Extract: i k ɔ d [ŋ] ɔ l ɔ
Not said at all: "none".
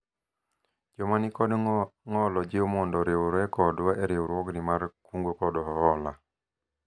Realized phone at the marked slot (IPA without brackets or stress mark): ŋ